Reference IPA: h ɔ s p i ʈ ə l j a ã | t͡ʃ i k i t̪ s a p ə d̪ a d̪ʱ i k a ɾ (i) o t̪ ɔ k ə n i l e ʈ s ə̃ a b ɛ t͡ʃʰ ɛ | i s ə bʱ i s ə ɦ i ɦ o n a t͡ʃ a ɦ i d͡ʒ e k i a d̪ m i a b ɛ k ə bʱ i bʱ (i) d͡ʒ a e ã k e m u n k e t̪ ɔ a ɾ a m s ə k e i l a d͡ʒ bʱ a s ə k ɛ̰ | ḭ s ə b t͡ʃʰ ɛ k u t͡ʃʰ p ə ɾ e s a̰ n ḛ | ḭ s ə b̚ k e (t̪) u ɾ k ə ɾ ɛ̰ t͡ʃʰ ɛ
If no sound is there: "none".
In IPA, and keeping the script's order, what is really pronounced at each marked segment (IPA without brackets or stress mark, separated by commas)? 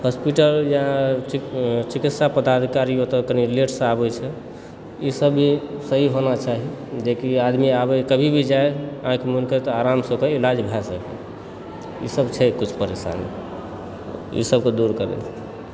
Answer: i, i, d̪